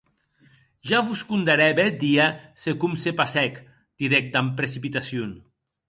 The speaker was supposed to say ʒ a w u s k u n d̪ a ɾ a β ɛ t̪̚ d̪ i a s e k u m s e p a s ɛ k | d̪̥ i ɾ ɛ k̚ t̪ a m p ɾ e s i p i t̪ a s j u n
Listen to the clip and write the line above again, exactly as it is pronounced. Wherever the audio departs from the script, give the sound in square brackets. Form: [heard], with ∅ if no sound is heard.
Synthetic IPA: ʒ a [β] u s k u n d̪ a ɾ [ɛ] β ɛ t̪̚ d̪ i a s e k u m s e p a s ɛ k | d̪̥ i ɾ ɛ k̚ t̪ a m p ɾ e s i p i t̪ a s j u n